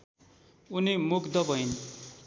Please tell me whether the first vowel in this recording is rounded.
yes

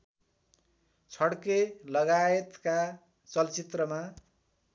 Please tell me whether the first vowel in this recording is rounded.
no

